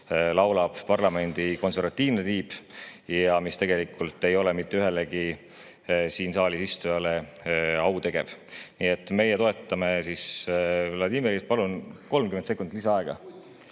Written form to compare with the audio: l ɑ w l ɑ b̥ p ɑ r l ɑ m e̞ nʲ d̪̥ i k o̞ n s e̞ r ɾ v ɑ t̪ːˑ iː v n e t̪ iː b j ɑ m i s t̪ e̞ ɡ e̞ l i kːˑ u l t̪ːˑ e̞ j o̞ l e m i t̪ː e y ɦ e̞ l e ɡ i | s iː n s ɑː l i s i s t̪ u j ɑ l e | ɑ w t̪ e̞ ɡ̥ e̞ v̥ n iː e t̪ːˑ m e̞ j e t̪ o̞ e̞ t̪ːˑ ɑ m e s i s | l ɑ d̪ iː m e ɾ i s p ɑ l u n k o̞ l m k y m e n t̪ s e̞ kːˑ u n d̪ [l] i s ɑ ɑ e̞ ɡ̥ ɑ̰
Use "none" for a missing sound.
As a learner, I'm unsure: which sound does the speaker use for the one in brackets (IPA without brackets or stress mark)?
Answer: l